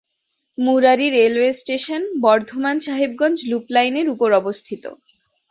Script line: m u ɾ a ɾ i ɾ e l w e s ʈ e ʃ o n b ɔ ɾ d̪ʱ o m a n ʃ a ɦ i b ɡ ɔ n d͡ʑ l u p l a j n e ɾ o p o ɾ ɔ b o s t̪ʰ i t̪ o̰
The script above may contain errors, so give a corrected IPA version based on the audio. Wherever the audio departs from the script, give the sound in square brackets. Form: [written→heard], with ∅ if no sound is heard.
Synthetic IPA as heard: m u ɾ a ɾ i ɾ e l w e s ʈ e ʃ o n b ɔ ɾ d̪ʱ o m a n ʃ a ɦ i b ɡ ɔ n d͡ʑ l u p l a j n e ɾ [o→u] p o ɾ ɔ b o s t̪ʰ i t̪ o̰